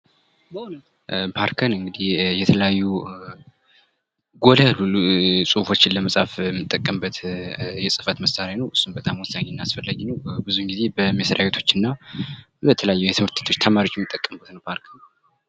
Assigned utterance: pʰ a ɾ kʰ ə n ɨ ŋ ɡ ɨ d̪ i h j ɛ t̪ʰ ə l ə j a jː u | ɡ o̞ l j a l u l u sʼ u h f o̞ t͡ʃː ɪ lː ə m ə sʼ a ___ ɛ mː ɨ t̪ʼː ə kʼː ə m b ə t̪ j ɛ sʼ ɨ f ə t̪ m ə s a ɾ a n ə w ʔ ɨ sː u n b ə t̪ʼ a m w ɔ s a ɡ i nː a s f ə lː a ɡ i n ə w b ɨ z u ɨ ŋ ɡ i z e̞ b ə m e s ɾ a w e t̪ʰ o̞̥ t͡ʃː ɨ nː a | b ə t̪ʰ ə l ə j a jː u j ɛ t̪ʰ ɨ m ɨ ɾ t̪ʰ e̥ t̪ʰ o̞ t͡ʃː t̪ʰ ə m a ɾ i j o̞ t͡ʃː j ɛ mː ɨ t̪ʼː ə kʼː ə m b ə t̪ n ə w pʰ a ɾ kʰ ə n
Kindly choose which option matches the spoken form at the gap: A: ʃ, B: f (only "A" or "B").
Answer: B